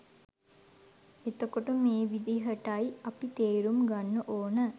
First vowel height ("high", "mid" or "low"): mid